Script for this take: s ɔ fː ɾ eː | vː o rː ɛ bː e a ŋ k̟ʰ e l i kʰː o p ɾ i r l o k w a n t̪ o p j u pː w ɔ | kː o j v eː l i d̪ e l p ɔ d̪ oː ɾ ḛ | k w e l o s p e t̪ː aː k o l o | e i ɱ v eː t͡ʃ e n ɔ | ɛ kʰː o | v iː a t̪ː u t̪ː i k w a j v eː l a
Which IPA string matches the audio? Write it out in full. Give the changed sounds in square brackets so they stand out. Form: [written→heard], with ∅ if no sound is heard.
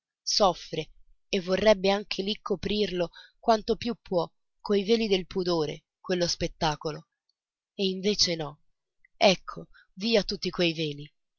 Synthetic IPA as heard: s ɔ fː ɾ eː | vː o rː ɛ bː e a ŋ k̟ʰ e l i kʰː o p ɾ i r l o k w a n t̪ o p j u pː w ɔ | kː o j v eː l i d̪ e l p [ɔ→u] d̪ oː ɾ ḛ | k w e [l→lː] o s p e t̪ː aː k o l o | e i ɱ v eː t͡ʃ e n ɔ | ɛ kʰː o | v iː a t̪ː u t̪ː i k w [a→e] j v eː l [a→i]

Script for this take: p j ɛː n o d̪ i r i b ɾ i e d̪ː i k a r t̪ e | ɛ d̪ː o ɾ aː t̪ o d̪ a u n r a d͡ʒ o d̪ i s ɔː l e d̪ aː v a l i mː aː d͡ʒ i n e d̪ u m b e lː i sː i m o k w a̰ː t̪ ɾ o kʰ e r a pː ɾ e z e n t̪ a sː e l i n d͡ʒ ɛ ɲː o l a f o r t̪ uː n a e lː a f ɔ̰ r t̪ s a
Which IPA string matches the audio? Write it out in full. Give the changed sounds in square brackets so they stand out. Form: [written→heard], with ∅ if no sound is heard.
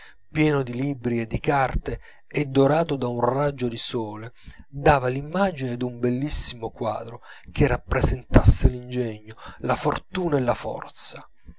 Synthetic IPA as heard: p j ɛː n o d̪ i [r→l] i b ɾ i e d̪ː i k a r t̪ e | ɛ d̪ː o ɾ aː t̪ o d̪ a u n r a d͡ʒ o d̪ i s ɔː l e d̪ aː v a l i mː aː d͡ʒ i n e d̪ u m b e lː i sː i m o k w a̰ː [t̪→d̪] ɾ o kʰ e r a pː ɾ e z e n t̪ a sː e l i n d͡ʒ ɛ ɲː o l a f o r t̪ uː n a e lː a f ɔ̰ r t̪ s a

